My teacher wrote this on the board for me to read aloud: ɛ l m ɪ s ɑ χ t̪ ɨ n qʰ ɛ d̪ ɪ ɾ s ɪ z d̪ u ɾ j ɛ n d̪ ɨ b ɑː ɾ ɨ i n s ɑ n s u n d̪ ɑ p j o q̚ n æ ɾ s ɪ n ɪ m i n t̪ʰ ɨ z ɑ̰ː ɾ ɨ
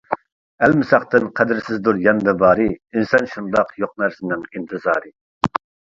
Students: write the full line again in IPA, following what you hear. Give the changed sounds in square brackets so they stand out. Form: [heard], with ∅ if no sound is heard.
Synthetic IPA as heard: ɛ l m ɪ s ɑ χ t̪ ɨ n qʰ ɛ d̪ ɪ ɾ s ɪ z d̪ u ɾ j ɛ n d̪ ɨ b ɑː ɾ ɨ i n s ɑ n [ʃ] u n d̪ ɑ [q] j o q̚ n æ ɾ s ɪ n ɪ [ŋ] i n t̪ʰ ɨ z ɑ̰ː ɾ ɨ